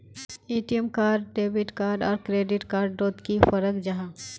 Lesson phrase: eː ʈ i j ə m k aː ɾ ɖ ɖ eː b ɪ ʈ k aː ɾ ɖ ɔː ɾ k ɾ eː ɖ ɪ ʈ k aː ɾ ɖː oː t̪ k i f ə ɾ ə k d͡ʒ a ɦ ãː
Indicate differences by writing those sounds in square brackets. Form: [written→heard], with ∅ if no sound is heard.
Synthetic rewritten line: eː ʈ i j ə m k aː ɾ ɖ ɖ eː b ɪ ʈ k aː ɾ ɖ ɔː ɾ k ɾ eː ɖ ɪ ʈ k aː ɾ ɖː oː t̪ k i f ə ɾ ə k d͡ʒ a ɦ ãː